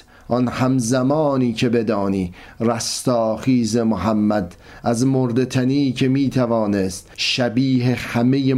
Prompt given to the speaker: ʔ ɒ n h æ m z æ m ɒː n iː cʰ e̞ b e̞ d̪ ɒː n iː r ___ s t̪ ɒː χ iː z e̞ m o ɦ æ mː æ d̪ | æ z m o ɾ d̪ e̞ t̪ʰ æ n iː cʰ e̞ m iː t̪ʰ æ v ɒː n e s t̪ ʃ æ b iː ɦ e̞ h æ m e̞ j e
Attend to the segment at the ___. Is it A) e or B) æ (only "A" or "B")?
B